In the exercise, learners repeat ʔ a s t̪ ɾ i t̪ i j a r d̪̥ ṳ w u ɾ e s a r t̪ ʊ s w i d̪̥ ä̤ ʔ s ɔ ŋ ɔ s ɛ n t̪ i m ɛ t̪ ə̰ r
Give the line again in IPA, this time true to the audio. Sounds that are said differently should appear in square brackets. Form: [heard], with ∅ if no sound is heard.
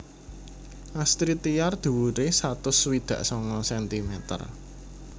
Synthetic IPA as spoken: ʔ a s t̪ ɾ i t̪ i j a r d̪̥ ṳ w u ɾ e s a [∅] t̪ ʊ s w i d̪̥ ä̤ ʔ s ɔ ŋ ɔ s ɛ n t̪ i m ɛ t̪ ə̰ r